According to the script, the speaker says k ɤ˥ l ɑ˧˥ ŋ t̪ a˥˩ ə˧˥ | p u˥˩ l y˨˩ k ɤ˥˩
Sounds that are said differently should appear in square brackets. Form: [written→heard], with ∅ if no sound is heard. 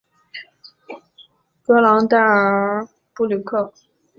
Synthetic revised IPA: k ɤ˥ l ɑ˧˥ ŋ t̪ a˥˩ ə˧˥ | p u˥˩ l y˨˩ [k→kʰ] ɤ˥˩